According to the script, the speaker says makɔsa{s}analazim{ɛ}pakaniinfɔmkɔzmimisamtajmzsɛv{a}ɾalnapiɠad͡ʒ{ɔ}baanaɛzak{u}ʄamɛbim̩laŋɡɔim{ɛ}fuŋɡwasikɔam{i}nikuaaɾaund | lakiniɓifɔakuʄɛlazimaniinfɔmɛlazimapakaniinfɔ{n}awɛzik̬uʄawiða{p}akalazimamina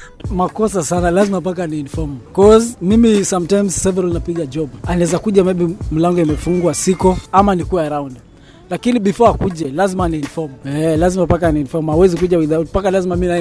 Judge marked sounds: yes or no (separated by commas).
yes, no, no, yes, yes, yes, no, no, yes